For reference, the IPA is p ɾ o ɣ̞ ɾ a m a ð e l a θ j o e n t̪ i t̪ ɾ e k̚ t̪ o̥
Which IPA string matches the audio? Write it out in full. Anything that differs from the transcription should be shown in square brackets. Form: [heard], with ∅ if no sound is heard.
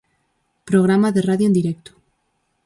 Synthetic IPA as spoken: p ɾ o ɣ̞ ɾ a m a ð e [r] a [ð] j o e n [d̪] i [∅] ɾ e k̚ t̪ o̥